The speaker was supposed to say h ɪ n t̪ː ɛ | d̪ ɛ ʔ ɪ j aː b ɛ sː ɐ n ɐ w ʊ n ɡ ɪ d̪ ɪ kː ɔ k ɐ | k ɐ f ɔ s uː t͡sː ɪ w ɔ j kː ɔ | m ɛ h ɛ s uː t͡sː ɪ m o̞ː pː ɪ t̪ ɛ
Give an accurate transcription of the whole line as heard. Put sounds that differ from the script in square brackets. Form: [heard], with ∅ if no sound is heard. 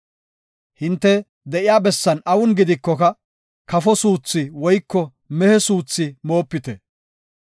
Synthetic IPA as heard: h ɪ n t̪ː ɛ | d̪ ɛ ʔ ɪ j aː b ɛ sː ɐ n ɐ w ʊ n ɡ ɪ d̪ ɪ kː ɔ k ɐ | k ɐ f ɔ s uː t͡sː ɪ w ɔ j kː ɔ | m ɛ h ɛ s uː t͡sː ɪ m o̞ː pː ɪ t̪ ɛ